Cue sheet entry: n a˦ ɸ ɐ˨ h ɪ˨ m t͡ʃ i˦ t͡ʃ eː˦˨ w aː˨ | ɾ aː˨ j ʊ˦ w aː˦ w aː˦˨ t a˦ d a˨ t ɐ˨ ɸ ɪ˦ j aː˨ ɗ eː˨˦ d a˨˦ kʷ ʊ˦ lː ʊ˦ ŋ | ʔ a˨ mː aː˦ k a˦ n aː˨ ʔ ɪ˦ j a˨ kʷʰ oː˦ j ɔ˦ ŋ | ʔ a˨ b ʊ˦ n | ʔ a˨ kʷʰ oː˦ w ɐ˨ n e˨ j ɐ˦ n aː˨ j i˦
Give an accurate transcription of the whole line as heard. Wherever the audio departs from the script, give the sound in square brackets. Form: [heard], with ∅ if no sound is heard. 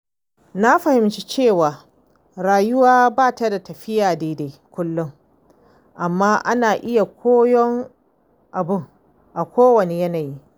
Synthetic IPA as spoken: n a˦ ɸ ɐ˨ h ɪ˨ m t͡ʃ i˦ t͡ʃ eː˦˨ w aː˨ | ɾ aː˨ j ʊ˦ w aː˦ [b] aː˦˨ t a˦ d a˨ t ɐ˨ ɸ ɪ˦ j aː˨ [d] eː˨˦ d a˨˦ kʷ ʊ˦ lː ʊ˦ ŋ | ʔ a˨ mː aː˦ [ʔ] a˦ n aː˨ ʔ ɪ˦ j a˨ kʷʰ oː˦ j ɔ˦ ŋ | ʔ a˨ b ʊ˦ [ŋ] | ʔ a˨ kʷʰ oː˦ w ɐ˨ n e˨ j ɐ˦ n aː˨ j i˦